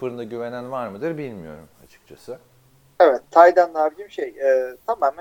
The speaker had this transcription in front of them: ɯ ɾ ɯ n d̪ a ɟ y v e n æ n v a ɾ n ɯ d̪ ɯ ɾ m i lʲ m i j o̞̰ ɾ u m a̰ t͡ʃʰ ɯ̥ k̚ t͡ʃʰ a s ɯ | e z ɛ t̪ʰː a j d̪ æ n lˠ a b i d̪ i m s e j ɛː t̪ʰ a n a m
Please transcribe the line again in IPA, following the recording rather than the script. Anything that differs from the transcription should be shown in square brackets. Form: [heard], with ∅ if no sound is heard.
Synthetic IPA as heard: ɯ ɾ ɯ n d̪ a ɟ y v e n æ n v a ɾ [m] ɯ d̪ ɯ ɾ [b] i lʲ m i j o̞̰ ɾ u m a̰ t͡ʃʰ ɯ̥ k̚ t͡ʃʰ a s ɯ | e [v] ɛ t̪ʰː a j d̪ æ n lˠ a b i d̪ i m [ʃ] e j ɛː t̪ʰ a [m] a m